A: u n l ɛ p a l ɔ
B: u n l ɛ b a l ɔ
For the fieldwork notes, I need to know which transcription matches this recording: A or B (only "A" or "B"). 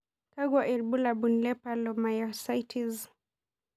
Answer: A